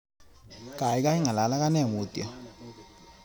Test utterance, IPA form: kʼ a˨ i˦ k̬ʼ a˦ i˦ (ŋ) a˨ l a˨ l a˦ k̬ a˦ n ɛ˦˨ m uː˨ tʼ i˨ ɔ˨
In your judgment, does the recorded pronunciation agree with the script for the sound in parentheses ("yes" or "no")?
yes